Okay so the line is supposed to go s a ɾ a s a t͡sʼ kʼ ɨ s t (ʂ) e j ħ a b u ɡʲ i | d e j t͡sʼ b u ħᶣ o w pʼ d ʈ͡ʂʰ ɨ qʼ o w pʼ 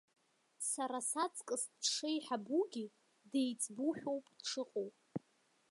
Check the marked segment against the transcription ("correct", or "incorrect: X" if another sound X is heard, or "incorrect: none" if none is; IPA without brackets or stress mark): correct